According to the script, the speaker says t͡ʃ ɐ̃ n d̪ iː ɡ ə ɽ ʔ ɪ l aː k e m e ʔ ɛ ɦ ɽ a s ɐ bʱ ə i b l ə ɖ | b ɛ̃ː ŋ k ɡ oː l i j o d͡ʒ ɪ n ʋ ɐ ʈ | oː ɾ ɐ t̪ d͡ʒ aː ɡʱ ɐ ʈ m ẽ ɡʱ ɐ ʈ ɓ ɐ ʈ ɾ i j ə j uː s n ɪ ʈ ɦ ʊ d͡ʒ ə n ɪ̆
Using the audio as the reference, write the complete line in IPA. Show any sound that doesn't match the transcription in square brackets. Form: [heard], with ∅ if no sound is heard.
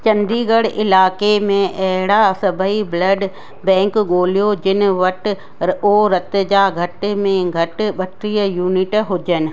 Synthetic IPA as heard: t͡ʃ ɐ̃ n d̪ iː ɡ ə ɽ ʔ ɪ l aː k e m [ẽ] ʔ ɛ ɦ ɽ a s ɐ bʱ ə i b l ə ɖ | b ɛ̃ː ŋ k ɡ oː l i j o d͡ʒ ɪ n ʋ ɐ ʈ | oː ɾ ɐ t̪ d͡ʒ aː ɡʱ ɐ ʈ m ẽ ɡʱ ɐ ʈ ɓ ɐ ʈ ɾ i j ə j uː [∅] n ɪ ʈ ɦ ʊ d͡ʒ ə n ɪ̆